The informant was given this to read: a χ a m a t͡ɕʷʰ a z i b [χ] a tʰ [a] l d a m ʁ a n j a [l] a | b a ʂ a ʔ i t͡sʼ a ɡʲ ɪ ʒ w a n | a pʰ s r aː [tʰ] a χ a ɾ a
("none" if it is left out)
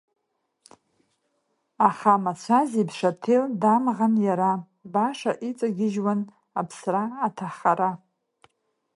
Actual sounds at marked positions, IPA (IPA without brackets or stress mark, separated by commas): ʂ, e, ɾ, tʰ